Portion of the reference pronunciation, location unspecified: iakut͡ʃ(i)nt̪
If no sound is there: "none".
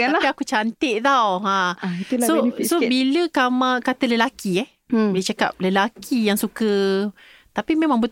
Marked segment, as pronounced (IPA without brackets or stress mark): a